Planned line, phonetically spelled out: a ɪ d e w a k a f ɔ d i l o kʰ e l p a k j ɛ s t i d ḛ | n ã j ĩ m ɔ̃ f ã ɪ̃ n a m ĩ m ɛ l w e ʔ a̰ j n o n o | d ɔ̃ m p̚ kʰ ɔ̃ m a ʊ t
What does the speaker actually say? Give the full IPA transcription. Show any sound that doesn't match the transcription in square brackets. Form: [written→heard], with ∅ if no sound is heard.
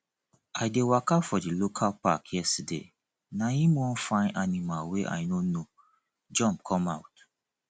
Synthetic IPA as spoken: a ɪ d e w a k a f ɔ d i l o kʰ [e→a] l p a k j ɛ s t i d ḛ | n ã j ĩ m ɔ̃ f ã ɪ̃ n a [m→n] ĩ m [ɛ→a] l w e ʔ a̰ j n o n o | [d→d͡ʒ] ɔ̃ m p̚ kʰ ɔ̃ m a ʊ t